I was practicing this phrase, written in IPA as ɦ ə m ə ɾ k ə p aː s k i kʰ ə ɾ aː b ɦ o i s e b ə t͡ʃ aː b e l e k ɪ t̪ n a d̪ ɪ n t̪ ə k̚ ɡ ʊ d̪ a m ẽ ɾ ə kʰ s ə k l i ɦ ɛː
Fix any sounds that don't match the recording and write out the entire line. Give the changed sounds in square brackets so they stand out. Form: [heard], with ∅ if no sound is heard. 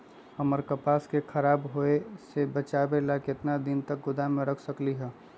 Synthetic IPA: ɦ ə m ə ɾ k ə p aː s k [e] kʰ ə ɾ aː b ɦ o [e] s e b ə t͡ʃ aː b e l [a] k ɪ t̪ n a d̪ ɪ n t̪ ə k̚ ɡ ʊ d̪ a m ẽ ɾ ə kʰ s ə k l i ɦ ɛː